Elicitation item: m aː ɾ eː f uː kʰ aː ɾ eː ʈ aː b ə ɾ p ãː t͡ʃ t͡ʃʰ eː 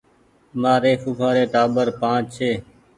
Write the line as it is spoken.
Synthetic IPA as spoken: m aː ɾ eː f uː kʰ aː ɾ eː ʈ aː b ə ɾ p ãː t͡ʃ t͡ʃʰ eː